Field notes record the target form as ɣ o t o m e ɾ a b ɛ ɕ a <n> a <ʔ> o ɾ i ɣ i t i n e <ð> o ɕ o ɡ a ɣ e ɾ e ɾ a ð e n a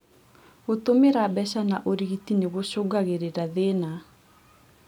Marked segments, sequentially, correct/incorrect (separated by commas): correct, correct, incorrect